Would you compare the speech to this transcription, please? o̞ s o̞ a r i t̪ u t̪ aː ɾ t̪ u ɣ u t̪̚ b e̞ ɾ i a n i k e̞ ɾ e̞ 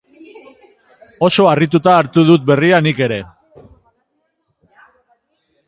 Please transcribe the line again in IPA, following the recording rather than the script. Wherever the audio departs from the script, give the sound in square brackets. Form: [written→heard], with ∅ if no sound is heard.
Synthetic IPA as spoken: o̞ s o̞ a r i t̪ u t̪ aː ɾ t̪ u [ɣ→ð] u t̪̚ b e̞ [ɾ→r] i a n i k e̞ ɾ e̞